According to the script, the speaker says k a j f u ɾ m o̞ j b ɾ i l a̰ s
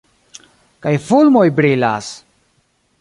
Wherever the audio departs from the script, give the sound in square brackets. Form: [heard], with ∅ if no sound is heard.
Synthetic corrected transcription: k a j f u [l] m o̞ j b ɾ i l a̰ s